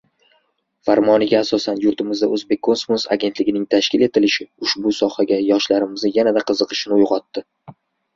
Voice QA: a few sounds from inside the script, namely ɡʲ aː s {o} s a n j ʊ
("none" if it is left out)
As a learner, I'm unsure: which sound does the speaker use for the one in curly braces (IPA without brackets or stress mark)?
ɒ